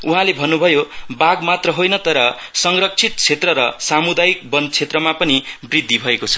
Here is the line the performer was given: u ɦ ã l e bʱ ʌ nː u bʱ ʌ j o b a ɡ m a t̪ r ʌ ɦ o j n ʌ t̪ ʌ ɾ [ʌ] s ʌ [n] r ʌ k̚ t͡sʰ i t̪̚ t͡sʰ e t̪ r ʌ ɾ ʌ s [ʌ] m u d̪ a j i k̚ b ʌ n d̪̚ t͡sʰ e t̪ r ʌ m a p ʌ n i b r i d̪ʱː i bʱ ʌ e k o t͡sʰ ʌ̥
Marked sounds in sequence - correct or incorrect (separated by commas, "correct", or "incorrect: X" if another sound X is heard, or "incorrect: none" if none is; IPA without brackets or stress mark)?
correct, incorrect: ŋ, incorrect: a